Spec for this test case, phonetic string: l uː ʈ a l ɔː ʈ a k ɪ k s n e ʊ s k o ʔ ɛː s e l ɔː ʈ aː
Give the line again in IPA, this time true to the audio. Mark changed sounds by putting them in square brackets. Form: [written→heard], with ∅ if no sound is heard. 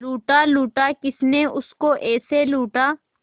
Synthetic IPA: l uː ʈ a l [ɔː→uː] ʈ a k ɪ [k→∅] s n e ʊ s k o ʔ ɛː s e l [ɔː→uː] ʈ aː